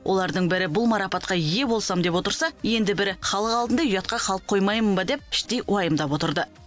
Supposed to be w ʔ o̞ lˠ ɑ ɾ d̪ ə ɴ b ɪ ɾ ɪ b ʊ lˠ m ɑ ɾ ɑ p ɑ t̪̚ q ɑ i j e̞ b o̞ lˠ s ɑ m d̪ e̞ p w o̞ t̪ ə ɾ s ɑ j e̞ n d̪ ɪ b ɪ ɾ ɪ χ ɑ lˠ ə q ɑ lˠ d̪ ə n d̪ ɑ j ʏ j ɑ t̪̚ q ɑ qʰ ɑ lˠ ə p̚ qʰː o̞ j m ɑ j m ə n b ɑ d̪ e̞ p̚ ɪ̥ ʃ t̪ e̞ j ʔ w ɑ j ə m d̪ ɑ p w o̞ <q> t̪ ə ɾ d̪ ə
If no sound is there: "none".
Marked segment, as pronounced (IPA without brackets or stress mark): none